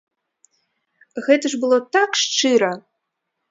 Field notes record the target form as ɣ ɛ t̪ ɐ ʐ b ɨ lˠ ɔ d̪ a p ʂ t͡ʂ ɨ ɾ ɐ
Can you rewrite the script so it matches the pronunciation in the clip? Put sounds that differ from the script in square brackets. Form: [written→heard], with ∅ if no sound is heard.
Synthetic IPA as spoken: ɣ ɛ t̪ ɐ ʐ b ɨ lˠ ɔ [d̪→t̪] a [p→k] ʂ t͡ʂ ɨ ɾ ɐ